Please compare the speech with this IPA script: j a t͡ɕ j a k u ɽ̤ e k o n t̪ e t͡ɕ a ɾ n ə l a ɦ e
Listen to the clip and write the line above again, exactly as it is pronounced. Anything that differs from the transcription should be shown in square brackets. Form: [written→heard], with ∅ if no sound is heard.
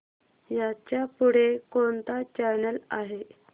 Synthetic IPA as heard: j a t͡ɕ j a [k→p] u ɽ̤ e k o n t̪ [e→a] t͡ɕ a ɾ n ə l a ɦ e